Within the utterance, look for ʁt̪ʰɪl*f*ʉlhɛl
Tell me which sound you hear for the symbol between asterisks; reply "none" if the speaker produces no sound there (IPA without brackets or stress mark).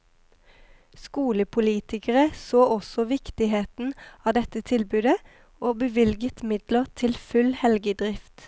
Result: f